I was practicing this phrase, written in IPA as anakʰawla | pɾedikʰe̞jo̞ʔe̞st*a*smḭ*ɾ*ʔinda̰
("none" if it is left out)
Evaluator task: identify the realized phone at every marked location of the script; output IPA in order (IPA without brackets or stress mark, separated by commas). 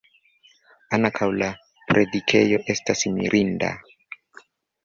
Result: a, ɾ